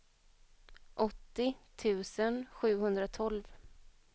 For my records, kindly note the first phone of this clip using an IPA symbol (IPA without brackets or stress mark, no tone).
ʔ